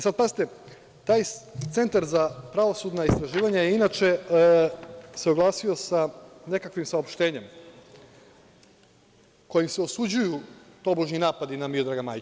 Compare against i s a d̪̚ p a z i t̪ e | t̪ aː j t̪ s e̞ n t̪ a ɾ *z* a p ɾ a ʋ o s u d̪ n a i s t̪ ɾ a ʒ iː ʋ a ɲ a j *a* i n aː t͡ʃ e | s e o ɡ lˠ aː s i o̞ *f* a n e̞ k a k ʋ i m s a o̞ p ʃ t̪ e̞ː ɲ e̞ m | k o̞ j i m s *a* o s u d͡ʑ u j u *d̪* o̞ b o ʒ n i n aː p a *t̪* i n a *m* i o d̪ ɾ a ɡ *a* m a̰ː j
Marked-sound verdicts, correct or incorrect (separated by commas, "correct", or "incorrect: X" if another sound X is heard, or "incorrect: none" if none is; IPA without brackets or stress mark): correct, incorrect: e, incorrect: s, incorrect: e, incorrect: t̪, incorrect: d̪, correct, correct